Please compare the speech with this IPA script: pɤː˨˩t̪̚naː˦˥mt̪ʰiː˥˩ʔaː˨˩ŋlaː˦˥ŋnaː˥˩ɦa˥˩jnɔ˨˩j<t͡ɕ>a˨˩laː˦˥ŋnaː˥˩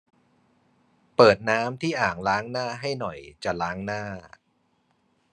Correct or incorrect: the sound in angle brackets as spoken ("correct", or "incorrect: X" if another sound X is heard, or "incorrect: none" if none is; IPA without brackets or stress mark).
correct